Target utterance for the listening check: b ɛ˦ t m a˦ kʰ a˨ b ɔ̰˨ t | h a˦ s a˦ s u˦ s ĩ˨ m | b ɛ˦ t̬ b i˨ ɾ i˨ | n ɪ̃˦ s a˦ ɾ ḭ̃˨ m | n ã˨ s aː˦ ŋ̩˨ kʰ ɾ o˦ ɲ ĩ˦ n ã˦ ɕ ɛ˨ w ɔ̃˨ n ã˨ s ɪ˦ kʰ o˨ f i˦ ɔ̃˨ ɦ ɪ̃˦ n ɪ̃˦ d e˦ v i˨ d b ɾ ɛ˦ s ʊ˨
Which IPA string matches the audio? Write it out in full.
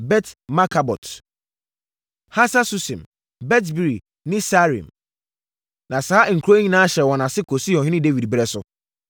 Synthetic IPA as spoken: b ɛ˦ t m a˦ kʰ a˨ b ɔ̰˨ t | h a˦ s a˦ s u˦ s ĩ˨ m | b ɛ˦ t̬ b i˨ ɾ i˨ | n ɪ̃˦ s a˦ ɾ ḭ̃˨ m | n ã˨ s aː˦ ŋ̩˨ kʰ ɾ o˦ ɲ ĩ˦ n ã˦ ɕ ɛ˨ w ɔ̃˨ n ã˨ s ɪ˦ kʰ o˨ s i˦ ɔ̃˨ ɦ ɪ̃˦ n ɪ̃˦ d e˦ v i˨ d b ɾ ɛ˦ s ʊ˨